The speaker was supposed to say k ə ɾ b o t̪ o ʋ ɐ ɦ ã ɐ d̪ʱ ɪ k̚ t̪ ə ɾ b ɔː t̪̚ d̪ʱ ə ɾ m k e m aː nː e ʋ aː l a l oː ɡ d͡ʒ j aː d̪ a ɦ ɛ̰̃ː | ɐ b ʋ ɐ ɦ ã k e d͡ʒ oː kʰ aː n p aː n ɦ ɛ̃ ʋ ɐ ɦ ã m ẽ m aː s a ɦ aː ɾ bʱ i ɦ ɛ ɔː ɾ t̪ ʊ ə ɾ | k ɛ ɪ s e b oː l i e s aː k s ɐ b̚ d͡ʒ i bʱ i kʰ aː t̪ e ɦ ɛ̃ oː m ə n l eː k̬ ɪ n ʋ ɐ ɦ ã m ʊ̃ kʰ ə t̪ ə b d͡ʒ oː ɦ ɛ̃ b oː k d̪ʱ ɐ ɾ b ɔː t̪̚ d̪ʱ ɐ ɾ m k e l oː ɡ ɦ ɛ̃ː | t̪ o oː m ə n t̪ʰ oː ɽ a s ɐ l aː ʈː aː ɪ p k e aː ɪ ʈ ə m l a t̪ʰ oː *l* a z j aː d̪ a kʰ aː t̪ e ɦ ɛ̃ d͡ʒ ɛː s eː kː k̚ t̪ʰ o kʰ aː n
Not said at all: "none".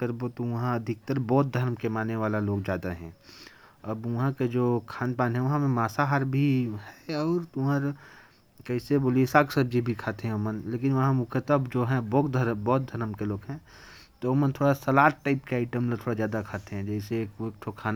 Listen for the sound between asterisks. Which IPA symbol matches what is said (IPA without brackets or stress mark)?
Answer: ɽ